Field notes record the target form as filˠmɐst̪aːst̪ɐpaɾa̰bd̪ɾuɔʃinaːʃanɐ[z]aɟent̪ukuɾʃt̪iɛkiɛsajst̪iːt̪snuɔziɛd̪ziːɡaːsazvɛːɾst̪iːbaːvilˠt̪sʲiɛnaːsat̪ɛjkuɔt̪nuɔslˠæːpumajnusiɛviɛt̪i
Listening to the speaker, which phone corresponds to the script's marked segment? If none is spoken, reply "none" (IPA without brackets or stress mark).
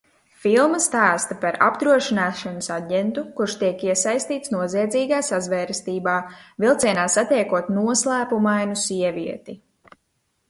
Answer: s